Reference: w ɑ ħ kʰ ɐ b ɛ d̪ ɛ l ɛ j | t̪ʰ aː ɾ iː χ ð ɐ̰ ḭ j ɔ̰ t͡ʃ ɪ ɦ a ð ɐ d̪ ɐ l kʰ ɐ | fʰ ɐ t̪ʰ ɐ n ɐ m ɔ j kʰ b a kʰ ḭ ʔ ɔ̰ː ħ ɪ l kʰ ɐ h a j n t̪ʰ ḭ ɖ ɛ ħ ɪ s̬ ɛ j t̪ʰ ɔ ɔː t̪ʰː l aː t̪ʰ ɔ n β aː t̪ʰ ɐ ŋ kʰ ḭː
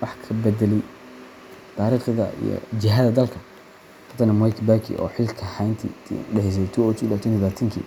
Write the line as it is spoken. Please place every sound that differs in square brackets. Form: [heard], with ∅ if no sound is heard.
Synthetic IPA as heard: w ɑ ħ kʰ ɐ b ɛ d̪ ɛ l ɛ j | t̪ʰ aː ɾ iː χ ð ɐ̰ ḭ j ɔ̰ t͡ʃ ɪ ɦ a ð ɐ d̪ ɐ l kʰ ɐ | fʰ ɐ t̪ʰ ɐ n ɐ m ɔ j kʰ b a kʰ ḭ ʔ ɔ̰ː ħ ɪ l kʰ ɐ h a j n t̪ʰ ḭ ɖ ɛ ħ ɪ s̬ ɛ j t̪ʰ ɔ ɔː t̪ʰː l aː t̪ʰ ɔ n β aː t̪ʰ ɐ ŋ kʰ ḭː